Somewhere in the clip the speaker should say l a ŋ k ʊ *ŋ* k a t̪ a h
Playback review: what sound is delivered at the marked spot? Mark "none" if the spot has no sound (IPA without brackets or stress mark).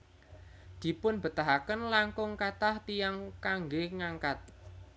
ŋ